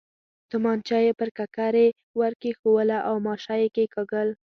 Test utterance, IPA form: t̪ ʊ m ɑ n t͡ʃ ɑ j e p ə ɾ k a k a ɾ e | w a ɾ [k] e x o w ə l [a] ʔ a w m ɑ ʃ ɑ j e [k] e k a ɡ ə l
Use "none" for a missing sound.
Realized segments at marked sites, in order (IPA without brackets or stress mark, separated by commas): k, a, k